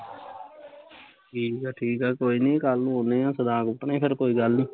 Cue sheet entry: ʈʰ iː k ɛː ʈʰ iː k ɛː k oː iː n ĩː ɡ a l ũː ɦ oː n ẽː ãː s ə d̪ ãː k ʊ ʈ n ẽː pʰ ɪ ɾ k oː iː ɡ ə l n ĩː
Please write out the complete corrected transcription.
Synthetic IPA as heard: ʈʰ iː k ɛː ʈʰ iː k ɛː k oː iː n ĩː k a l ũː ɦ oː n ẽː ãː s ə d̪ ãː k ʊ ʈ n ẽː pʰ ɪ ɾ k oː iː ɡ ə l n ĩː